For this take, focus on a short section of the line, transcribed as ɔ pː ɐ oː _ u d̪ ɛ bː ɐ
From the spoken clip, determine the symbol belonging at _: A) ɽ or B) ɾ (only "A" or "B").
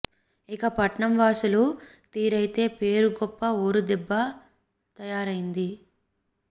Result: B